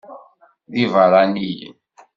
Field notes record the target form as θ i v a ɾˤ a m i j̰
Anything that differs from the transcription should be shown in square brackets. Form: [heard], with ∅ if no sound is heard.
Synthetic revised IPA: [ð] i v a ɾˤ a [n] i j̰